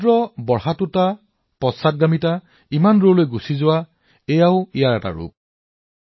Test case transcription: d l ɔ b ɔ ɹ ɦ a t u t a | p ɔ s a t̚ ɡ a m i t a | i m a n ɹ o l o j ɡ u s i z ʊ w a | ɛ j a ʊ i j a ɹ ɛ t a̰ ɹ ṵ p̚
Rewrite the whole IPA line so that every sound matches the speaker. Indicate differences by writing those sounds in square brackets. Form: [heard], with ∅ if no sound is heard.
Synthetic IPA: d [ɹ] ɔ b ɔ ɹ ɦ a t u t a | p ɔ s a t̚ ɡ a m i t a | i m a n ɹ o l o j ɡ u s i z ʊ w a | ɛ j a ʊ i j a ɹ ɛ t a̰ ɹ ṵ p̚